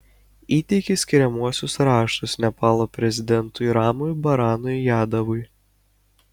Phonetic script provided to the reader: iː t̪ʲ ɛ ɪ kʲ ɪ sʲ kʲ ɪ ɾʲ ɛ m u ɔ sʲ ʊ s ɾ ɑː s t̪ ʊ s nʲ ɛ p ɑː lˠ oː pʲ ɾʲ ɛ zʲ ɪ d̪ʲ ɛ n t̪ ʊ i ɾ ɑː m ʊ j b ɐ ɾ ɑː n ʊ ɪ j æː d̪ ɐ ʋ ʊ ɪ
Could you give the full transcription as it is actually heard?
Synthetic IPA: iː t̪ʲ ɛ ɪ kʲ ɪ sʲ kʲ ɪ ɾʲ ɛ m u ɔ sʲ ʊ s ɾ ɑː ʃ t̪ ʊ s nʲ ɛ p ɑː lˠ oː pʲ ɾʲ ɛ zʲ ɪ d̪ʲ ɛ n t̪ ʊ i ɾ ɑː m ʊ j b ɐ ɾ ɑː n ʊ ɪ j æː d̪ ɐ ʋ ʊ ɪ